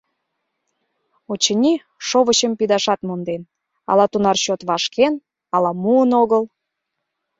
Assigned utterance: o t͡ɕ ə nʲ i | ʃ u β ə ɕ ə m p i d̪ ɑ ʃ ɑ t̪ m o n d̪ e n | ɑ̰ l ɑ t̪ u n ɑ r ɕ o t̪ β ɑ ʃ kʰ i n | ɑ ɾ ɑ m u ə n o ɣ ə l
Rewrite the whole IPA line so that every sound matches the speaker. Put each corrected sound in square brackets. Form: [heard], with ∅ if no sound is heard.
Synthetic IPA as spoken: o t͡ɕ ə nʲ i | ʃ [o] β ə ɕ ə m p i d̪ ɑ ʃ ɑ t̪ m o n d̪ e n | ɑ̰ l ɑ t̪ u n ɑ r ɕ o t̪ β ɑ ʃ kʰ [e] n | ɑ [l] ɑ m u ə n o ɣ ə l